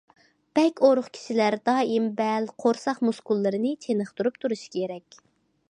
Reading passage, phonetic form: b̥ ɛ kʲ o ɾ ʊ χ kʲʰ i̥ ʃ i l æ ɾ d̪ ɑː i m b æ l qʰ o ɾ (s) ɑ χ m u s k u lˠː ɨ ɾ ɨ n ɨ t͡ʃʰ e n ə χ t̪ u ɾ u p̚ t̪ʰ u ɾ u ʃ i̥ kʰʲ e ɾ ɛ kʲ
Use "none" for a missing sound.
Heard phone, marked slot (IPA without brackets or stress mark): s